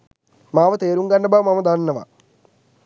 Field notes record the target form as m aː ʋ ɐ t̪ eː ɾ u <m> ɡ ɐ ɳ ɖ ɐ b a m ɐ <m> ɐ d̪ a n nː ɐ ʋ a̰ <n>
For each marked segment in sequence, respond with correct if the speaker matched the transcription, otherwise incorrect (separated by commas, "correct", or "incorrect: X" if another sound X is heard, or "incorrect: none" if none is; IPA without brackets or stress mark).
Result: incorrect: ŋ, correct, incorrect: none